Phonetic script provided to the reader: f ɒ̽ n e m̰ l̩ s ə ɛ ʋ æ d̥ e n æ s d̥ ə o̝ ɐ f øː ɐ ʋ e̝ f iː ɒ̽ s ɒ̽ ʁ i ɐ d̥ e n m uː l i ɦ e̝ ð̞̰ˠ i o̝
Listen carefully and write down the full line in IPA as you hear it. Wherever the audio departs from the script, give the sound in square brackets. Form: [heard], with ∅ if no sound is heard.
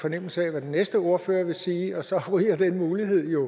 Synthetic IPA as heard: f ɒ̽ n e m̰ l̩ s ə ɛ ʋ æ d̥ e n [e] s d̥ ə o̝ ɐ f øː ɐ ʋ e̝ [s] iː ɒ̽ s ɒ̽ ʁ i ɐ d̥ e n m uː l i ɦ e̝ ð̞̰ˠ [j] o̝

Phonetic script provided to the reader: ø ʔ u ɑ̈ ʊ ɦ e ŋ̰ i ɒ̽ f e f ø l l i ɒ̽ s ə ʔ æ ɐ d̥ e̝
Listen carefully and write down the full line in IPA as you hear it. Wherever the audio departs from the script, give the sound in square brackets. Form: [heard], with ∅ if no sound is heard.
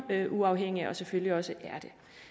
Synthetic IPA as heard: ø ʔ u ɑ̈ ʊ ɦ e ŋ̰ i ɒ̽ [s] e f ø l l i ɒ̽ s ə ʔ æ ɐ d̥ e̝

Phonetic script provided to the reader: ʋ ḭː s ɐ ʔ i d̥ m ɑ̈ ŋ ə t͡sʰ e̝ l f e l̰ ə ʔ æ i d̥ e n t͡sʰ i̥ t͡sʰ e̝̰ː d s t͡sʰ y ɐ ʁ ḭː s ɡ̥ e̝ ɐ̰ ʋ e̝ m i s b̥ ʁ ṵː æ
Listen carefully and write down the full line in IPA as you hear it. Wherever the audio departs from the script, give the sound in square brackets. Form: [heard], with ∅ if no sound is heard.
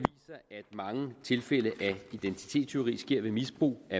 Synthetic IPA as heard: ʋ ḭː s ɐ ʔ [æ] d̥ m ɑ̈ ŋ ə t͡sʰ e̝ l f e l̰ ə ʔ æ i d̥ e n t͡sʰ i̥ t͡sʰ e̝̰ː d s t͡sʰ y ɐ ʁ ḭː s ɡ̥ e̝ ɐ̰ ʋ e̝ m i s b̥ ʁ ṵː æ

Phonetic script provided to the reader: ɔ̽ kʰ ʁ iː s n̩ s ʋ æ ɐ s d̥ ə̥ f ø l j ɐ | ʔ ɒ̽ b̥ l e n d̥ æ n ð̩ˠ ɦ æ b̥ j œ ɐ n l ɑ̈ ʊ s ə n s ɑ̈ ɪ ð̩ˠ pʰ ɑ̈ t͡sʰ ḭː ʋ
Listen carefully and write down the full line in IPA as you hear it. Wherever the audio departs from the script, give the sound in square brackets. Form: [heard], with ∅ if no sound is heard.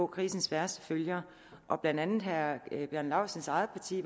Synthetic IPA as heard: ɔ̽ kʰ ʁ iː s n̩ s ʋ æ ɐ s d̥ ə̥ f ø l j ɐ | ʔ ɒ̽ b̥ l [æ] n d̥ æ n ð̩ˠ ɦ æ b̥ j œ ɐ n l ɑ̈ ʊ s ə n s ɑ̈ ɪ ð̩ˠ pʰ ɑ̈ t͡sʰ ḭː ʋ

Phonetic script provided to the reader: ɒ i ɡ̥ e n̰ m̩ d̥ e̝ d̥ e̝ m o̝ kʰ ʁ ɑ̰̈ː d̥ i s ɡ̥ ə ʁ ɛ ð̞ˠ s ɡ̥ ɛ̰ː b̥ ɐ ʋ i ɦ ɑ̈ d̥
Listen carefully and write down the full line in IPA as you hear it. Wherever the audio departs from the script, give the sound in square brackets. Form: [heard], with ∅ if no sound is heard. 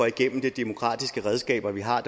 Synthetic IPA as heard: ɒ i ɡ̥ e n̰ m̩ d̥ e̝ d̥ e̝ m o̝ kʰ ʁ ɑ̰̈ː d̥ i s ɡ̥ ə ʁ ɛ ð̞ˠ s ɡ̥ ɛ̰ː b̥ ɐ ʋ i ɦ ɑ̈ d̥

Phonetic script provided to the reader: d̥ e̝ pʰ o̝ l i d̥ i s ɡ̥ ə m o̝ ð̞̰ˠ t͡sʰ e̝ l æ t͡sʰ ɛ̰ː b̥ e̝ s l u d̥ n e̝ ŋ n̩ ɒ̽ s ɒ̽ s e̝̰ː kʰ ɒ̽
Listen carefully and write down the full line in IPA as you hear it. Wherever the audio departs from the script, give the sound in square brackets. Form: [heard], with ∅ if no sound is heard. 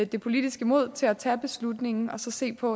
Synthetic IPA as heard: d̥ e̝ pʰ o̝ l i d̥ i s ɡ̥ ə m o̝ ð̞̰ˠ t͡sʰ e̝ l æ t͡sʰ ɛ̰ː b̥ e̝ s l u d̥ n e̝ ŋ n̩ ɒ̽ s ɒ̽ s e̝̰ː [pʰ] ɒ̽

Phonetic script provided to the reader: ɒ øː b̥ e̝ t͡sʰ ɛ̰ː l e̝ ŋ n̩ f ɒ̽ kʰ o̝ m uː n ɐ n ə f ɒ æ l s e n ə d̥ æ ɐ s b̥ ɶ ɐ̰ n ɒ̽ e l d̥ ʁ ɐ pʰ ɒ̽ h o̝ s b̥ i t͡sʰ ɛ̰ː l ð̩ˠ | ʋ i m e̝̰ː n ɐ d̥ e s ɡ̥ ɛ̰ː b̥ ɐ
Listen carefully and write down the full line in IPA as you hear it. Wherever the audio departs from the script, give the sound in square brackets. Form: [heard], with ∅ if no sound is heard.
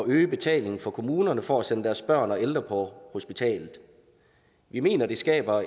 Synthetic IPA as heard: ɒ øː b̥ e̝ t͡sʰ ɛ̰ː l e̝ ŋ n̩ f ɒ̽ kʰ o̝ m uː n ɐ n ə f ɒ æ [∅] s e n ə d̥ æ ɐ s b̥ ɶ ɐ̰ n ɒ̽ e l d̥ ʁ ɐ pʰ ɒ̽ h o̝ s b̥ i t͡sʰ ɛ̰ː l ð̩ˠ | ʋ i m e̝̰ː n ɐ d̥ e s ɡ̥ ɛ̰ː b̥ ɐ

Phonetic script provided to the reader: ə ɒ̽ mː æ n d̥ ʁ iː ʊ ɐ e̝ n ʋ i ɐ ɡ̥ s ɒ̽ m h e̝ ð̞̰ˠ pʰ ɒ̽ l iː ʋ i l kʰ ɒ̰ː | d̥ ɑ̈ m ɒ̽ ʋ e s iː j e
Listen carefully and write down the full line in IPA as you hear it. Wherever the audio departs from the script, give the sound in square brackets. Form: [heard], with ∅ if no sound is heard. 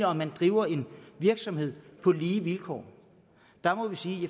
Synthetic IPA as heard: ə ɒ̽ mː æ n d̥ ʁ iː ʊ ɐ e̝ n ʋ i ɐ ɡ̥ s ɒ̽ m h e̝ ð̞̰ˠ pʰ ɒ̽ l iː ʋ i l kʰ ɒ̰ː | d̥ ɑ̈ m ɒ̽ ʋ [i] s iː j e

